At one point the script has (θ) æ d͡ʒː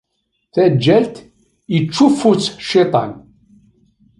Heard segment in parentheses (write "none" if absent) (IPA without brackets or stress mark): θ